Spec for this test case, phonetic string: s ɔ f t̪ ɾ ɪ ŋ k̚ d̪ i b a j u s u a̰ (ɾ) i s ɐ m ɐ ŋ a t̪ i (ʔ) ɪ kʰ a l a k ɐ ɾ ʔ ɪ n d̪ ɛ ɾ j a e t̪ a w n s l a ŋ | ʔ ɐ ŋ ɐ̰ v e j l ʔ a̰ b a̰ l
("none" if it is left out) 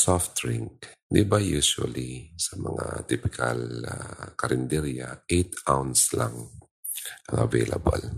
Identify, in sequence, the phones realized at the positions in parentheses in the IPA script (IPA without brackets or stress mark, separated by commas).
l, p